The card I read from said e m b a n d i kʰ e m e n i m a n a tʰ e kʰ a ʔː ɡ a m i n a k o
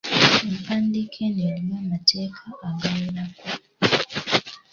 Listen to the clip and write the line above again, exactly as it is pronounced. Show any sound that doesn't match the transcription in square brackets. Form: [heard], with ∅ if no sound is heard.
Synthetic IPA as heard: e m [p] a n d i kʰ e [n] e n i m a [m] a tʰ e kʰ a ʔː ɡ a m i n a k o